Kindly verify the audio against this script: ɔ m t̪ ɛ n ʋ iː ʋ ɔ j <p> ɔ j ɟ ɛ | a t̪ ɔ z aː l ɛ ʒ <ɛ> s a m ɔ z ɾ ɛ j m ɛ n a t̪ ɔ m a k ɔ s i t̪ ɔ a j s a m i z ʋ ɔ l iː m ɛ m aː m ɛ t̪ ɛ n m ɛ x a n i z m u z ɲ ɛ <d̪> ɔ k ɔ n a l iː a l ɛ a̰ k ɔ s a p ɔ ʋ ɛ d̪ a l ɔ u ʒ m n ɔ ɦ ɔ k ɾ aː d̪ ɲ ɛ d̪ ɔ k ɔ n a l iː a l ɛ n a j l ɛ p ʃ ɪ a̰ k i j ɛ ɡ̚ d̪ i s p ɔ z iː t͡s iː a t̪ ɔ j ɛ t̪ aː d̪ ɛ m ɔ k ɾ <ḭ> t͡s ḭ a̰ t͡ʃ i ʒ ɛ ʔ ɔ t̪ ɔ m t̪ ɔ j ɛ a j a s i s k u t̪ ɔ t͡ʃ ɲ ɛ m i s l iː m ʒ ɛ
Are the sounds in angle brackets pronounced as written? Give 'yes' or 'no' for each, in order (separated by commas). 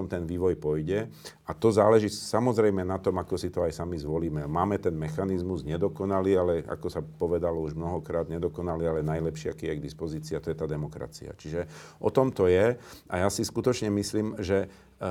yes, no, yes, no